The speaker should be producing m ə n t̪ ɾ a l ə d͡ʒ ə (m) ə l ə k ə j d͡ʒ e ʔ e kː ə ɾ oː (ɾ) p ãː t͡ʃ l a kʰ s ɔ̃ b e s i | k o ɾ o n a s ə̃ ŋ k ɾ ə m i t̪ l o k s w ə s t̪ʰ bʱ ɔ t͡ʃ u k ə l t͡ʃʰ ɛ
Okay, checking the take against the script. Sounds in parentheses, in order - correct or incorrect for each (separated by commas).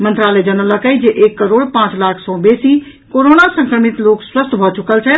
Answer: incorrect, incorrect